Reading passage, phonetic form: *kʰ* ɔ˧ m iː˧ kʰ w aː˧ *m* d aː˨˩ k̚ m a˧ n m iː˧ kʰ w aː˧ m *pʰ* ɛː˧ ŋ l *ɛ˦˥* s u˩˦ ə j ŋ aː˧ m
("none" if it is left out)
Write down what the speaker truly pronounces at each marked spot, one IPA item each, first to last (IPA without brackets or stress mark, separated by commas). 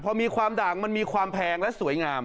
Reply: pʰ, m, pʰ, ɛ˦˥